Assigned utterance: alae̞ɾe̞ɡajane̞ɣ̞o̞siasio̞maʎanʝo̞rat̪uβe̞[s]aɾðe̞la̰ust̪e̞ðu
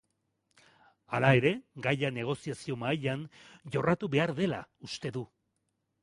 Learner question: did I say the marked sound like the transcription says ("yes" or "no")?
no